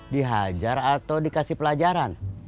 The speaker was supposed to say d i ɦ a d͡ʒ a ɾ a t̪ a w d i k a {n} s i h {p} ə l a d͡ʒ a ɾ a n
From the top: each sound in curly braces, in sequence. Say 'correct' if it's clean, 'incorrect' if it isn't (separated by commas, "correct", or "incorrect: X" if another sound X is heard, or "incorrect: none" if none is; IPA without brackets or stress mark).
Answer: incorrect: none, correct